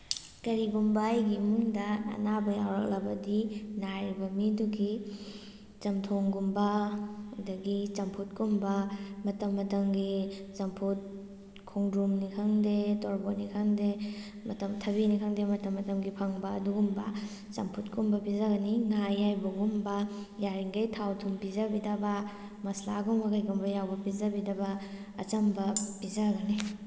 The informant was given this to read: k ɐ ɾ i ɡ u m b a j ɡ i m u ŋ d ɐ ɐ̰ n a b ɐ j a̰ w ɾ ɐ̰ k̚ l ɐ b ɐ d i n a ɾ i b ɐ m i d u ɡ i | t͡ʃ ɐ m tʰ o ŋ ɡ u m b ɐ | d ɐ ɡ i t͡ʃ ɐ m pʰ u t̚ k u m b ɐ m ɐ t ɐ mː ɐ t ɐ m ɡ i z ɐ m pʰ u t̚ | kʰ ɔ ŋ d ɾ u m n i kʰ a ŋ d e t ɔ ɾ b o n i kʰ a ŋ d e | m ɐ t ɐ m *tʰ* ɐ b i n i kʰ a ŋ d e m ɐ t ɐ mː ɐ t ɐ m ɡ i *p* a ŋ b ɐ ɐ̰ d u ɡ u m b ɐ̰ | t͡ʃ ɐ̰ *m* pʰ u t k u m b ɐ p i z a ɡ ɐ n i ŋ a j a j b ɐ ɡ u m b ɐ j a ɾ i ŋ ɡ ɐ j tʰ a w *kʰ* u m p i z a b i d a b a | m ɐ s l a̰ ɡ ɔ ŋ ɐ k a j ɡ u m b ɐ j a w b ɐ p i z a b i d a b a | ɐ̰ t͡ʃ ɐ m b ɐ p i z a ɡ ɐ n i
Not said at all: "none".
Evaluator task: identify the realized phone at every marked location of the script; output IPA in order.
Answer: tʰ, pʰ, m, tʰ

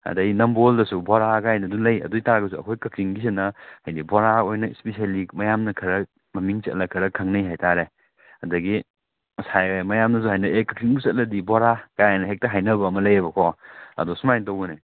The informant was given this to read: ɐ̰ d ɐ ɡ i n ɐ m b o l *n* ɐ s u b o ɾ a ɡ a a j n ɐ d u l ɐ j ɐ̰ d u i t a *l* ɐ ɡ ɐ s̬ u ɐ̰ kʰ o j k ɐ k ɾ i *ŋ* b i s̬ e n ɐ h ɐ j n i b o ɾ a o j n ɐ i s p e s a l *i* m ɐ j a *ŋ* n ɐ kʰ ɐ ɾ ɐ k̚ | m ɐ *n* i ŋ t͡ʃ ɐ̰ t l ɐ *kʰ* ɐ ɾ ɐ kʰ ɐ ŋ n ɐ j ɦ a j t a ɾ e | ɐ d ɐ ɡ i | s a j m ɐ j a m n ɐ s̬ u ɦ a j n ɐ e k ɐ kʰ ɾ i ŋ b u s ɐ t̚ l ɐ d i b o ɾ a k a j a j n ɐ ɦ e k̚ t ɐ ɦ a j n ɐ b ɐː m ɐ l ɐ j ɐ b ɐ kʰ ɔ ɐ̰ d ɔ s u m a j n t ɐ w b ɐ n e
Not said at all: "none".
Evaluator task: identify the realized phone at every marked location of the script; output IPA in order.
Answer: d, ɾ, ŋ, i, m, m, kʰ

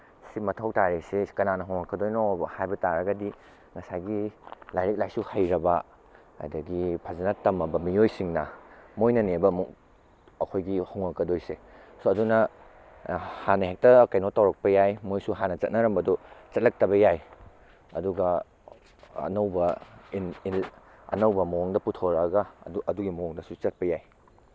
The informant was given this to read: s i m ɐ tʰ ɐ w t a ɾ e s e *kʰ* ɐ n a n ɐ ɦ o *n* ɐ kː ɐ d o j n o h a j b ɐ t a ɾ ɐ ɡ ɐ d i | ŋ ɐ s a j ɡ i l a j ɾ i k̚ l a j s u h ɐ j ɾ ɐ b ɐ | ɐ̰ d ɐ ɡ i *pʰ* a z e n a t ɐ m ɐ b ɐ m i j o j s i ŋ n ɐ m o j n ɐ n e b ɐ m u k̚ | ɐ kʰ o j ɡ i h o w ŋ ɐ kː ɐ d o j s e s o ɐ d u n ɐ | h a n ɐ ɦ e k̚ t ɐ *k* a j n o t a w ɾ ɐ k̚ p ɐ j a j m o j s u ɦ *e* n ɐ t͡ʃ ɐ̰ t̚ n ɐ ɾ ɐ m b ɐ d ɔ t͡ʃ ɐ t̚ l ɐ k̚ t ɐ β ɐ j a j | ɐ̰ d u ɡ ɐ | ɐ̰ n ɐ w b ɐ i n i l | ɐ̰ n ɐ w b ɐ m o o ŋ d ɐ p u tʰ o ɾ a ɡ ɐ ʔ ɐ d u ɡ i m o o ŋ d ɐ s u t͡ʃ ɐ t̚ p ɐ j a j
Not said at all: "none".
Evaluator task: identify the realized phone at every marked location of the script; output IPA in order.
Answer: k, ŋ, pʰ, k, a

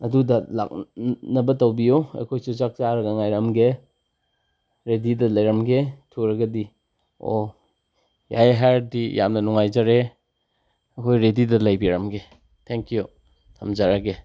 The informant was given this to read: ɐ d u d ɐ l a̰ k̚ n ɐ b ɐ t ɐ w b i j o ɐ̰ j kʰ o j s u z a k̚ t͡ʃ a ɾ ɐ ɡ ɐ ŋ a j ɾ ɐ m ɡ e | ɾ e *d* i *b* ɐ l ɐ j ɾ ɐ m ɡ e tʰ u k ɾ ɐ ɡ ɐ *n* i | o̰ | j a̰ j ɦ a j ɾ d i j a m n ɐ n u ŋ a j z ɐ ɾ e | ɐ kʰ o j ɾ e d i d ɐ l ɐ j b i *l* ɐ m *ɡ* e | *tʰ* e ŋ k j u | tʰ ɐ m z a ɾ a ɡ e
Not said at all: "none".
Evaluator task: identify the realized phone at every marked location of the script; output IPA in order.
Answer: d, d, d, ɾ, ɡ, tʰ

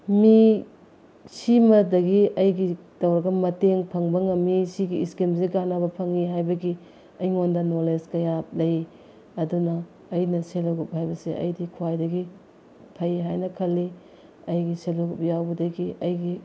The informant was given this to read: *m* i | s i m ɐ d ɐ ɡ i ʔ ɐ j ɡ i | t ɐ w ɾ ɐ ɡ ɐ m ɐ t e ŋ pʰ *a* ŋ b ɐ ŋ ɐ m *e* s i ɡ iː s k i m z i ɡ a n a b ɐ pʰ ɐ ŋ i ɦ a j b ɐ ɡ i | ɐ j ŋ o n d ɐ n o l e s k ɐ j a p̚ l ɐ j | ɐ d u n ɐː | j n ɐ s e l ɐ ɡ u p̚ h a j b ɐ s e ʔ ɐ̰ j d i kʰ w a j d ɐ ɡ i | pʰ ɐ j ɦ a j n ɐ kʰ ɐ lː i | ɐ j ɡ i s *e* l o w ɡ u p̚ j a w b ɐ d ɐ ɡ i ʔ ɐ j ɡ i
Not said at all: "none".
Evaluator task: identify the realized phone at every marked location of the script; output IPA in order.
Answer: m, ɐ, i, e

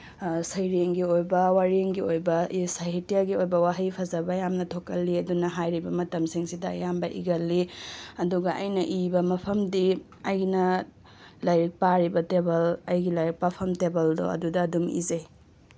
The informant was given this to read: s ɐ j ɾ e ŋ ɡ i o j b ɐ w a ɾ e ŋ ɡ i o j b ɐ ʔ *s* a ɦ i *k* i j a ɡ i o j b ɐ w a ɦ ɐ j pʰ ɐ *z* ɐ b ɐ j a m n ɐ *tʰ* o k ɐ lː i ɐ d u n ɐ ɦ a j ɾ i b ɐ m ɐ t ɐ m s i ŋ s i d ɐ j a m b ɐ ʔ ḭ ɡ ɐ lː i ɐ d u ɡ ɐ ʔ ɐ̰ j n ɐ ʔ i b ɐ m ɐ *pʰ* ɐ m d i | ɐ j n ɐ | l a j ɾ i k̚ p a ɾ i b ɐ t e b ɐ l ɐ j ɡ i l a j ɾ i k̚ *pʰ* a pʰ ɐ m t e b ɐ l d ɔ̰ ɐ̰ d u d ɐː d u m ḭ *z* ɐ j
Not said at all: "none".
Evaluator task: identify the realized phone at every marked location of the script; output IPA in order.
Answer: s, t, z, tʰ, pʰ, p, z

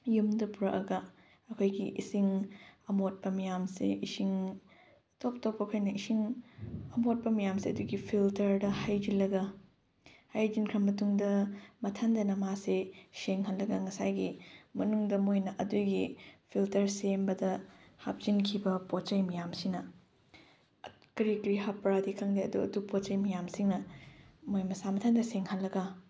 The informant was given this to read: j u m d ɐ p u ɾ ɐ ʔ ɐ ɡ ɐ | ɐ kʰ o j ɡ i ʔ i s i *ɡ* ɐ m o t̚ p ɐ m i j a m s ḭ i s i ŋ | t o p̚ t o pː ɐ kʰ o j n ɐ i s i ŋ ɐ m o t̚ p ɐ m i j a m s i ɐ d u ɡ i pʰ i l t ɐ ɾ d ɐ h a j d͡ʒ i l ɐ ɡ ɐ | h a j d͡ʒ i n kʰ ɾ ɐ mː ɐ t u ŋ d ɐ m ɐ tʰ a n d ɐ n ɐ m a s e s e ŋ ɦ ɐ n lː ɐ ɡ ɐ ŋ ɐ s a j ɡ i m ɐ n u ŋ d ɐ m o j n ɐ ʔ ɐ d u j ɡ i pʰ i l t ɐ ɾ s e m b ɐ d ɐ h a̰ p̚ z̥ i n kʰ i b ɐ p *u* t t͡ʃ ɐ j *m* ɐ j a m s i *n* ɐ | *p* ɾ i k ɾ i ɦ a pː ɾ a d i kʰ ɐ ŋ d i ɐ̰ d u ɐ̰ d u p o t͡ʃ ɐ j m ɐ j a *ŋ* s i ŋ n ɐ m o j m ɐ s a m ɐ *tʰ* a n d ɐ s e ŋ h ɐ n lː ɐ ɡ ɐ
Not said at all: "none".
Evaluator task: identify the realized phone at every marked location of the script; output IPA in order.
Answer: ŋ, o, m, n, k, m, tʰ

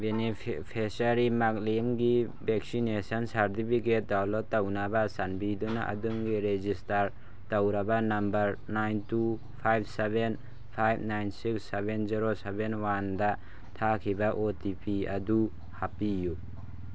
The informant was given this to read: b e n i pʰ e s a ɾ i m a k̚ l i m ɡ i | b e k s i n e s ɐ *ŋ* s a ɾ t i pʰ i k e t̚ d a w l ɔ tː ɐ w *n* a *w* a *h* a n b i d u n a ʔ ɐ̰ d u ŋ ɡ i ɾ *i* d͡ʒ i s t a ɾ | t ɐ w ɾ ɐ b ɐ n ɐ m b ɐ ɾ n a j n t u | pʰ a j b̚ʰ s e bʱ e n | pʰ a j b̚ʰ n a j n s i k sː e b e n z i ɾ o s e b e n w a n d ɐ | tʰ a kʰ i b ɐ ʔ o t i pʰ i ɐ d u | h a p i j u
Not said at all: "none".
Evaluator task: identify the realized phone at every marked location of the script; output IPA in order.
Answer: n, n, b, s, e

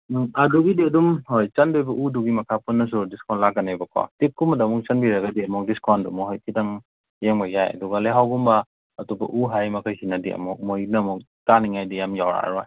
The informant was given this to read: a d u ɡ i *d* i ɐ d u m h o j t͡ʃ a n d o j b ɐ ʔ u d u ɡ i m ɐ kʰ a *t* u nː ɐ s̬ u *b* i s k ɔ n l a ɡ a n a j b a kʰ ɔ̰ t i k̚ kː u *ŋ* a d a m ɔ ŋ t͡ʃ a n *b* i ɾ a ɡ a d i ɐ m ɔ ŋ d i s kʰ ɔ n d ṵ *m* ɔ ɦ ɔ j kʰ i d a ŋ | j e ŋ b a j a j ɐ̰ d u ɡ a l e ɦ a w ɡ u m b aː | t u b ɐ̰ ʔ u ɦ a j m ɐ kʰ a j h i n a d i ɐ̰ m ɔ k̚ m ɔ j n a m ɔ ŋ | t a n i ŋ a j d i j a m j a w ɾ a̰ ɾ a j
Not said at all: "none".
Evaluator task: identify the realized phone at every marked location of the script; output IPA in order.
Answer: d, p, d, m, b, m

